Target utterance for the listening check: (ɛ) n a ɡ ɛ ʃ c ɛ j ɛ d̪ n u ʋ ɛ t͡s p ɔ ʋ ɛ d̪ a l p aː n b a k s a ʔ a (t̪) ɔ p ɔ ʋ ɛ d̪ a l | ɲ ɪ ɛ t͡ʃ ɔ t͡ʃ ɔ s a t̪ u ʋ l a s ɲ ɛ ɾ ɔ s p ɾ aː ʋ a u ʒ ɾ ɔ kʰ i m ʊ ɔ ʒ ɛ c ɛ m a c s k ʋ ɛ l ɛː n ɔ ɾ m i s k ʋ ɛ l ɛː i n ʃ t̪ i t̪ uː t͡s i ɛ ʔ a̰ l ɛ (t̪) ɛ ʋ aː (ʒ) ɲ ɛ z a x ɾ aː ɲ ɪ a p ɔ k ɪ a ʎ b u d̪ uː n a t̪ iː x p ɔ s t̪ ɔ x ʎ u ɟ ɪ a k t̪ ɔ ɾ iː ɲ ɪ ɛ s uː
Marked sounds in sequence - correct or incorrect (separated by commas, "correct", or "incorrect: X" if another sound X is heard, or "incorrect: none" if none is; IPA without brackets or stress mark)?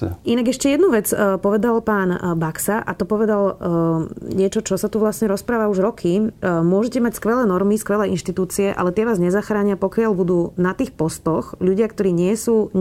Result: incorrect: i, correct, correct, incorrect: z